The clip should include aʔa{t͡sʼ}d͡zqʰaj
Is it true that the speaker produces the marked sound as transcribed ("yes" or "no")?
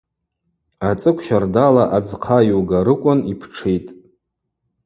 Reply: no